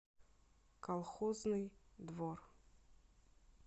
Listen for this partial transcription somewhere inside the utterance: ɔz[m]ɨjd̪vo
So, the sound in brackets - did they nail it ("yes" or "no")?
no